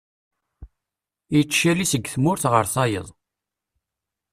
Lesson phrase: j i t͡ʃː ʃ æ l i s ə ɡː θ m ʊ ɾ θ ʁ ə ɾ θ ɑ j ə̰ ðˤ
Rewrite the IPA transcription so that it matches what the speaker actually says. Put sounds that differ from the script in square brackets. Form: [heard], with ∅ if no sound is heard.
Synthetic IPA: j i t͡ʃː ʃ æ l i s ə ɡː θ m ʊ ɾ θ ʁ ə ɾ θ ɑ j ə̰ ðˤ